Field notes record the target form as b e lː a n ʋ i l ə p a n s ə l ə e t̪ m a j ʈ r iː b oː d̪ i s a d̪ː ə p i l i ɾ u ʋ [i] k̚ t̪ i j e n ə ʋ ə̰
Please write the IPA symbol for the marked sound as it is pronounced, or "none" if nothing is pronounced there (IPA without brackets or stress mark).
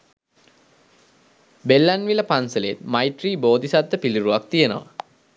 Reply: a